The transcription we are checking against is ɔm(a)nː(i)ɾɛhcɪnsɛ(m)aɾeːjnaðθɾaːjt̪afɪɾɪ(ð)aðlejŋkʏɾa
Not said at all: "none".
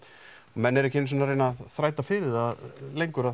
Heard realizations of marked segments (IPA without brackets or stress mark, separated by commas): ɛ, ɛ, n, ð